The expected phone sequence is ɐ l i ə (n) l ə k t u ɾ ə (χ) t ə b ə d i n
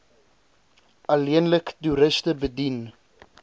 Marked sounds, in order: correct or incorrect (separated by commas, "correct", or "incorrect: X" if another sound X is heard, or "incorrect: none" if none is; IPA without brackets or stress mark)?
correct, incorrect: s